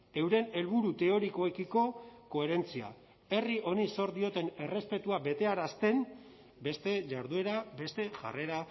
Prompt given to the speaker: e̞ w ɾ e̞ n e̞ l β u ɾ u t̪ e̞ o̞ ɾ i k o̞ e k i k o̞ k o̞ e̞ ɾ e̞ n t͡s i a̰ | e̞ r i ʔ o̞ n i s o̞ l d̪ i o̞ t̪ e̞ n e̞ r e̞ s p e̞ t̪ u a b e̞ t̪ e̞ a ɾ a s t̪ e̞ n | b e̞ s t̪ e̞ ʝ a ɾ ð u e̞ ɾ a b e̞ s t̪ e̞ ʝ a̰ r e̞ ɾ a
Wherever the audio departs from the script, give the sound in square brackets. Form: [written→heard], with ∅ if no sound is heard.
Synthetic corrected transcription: e̞ w ɾ e̞ n e̞ l β u ɾ u t̪ e̞ o̞ ɾ i k o̞ e k i k o̞ k o̞ e̞ ɾ e̞ n t͡s i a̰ | e̞ r i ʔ o̞ n i s o̞ [l→ɾ] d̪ i o̞ t̪ e̞ n e̞ r e̞ s p e̞ t̪ u a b e̞ t̪ e̞ a ɾ a s t̪ e̞ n | b e̞ s t̪ e̞ ʝ a ɾ ð u e̞ ɾ a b e̞ s t̪ e̞ ʝ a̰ r e̞ ɾ a